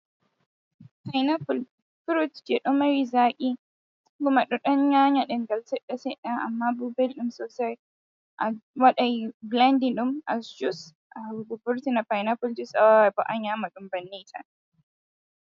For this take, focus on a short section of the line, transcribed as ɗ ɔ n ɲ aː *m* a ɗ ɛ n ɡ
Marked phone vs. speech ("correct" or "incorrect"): incorrect